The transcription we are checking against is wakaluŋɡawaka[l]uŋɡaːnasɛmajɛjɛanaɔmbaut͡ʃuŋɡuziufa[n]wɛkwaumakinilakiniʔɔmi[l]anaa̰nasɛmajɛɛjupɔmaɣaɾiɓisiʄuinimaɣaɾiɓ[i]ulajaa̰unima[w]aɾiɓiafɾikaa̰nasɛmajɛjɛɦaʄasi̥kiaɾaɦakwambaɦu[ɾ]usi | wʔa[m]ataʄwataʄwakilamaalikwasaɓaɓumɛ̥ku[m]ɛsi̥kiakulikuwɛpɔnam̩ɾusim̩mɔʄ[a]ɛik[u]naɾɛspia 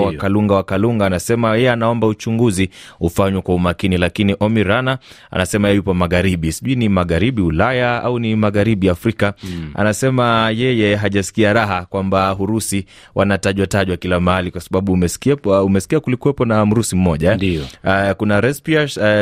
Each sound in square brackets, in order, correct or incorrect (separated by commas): correct, incorrect, incorrect, correct, incorrect, correct, incorrect, correct, correct, correct